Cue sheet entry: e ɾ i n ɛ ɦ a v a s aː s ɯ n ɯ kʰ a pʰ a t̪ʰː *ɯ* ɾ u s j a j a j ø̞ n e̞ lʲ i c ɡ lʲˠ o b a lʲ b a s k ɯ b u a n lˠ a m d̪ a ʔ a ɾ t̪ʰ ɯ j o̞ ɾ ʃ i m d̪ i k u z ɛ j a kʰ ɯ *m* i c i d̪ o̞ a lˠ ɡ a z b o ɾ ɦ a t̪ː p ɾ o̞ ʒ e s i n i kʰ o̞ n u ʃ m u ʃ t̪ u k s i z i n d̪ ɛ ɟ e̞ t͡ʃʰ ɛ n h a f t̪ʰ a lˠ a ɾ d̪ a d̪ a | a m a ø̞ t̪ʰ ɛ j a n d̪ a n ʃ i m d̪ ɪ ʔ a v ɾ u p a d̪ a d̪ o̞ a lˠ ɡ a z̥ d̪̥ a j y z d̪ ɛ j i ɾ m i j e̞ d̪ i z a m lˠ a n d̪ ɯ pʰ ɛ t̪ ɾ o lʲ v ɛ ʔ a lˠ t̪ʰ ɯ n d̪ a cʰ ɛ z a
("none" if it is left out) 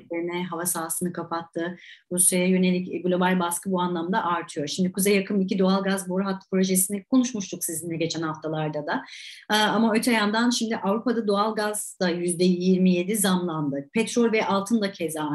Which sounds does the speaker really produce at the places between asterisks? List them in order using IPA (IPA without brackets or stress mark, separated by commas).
ɯ, m